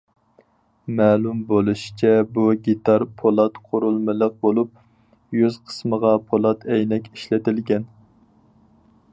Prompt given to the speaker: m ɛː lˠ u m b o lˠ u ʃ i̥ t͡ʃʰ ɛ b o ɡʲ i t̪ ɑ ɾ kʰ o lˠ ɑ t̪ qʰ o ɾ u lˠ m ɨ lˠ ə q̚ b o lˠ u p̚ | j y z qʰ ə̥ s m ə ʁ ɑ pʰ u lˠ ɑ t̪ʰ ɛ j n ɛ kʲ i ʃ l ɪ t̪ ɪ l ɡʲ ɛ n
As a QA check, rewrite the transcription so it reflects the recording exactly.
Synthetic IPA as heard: m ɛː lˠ u m b o lˠ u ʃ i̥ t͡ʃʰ ɛ b u ɡʲ i t̪ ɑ ɾ pʰ o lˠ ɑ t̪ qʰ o ɾ u lˠ m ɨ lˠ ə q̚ b o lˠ u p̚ | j y z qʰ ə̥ s m ə ʁ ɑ pʰ o lˠ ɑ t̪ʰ ɛ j n ɛ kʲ i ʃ l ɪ t̪ ɪ l ɡʲ ɛ n

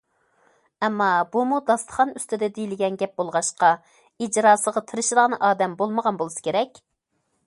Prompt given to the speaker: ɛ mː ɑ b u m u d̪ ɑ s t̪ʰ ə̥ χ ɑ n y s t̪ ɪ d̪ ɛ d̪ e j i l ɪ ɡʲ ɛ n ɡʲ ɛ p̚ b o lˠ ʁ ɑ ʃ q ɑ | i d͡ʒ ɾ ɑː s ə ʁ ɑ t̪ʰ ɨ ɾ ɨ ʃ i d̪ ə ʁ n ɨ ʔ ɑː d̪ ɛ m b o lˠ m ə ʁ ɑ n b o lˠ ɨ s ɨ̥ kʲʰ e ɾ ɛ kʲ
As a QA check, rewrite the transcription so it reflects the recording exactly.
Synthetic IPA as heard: ɛ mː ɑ b u m u d̪ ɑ s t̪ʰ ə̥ χ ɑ n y s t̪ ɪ d̪ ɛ d̪ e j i l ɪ ɡʲ ɛ n ɡʲ ɛ p̚ b o lˠ ʁ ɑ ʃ q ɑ | i d͡ʒ ɾ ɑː s ə ʁ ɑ t̪ʰ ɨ ɾ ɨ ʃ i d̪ ə ʁ n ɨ ʔ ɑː d̪ ɛ m b o lˠ m ə ʁ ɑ n b o lˠ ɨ s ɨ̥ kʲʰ e ɾ ɛ kʲ

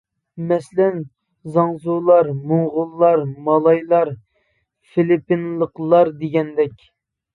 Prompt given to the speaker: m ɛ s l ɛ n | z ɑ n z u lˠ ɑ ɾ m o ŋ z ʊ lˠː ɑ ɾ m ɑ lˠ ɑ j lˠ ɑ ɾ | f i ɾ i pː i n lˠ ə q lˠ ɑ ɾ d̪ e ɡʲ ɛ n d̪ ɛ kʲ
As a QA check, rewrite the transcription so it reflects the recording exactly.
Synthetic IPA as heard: m ɛ s l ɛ n | z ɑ ŋ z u lˠ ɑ ɾ m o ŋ ʁ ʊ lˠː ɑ ɾ m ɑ lˠ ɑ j lˠ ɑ ɾ | f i l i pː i n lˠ ə q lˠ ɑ ɾ d̪ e ɡʲ ɛ n d̪ ɛ kʲ

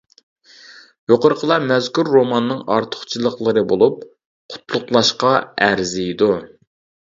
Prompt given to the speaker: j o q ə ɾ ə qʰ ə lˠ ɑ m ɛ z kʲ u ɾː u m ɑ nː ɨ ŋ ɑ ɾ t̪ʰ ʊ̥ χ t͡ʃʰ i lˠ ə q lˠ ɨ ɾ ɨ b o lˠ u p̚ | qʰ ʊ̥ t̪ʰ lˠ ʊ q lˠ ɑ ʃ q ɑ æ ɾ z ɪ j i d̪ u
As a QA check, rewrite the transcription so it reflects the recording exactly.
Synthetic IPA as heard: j o q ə ɾ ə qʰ ə lˠ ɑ m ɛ z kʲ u ɾː o m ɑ nː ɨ ŋ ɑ ɾ t̪ʰ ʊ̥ χ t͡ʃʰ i lˠ ə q lˠ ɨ ɾ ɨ b o lˠ u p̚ | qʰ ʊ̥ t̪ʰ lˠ ʊ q lˠ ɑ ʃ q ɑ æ ɾ z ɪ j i d̪ u

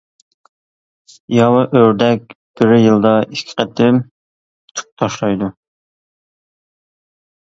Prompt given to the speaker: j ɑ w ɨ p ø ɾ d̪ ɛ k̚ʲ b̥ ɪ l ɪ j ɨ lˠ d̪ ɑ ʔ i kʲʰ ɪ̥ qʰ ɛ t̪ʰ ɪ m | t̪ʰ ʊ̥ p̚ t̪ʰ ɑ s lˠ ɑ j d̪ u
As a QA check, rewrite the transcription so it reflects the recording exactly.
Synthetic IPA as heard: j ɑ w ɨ ʔ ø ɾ d̪ ɛ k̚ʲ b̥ ɪ ɾ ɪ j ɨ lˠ d̪ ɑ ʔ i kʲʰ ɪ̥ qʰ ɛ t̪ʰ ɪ m | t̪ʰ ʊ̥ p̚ t̪ʰ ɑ ʃ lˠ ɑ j d̪ u

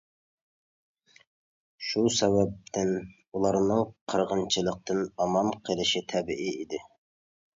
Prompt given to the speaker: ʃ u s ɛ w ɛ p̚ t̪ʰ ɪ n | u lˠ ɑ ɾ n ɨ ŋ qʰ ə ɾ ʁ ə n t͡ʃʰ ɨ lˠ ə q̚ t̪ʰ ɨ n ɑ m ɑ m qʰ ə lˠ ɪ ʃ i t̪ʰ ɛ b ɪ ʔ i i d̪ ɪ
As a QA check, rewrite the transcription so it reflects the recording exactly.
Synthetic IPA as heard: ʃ u s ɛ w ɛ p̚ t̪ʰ ɪ n | u lˠ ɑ ɾ n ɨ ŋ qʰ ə ɾ ʁ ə n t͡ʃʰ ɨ lˠ ə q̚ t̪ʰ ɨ n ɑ m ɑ m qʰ ə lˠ ɪ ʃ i t̪ʰ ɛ b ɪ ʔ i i d̪ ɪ

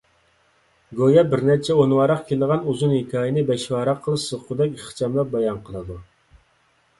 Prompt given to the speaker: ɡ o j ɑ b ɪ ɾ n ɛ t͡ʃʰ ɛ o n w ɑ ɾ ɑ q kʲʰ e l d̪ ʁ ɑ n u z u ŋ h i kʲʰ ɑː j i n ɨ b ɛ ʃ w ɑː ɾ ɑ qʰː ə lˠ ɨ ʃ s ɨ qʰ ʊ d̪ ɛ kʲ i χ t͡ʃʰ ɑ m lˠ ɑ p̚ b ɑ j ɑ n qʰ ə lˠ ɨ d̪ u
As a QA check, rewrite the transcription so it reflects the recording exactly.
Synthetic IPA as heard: ɡ o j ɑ b ɪ ɾ n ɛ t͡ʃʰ ɛ o n w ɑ ɾ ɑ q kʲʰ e l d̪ ʁ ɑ n u z u n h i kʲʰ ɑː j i n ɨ b ɛ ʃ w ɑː ɾ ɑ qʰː ə lˠ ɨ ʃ s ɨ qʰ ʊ d̪ ɛ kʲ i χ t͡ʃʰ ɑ m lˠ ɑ p̚ b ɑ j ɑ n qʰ ə lˠ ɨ d̪ u

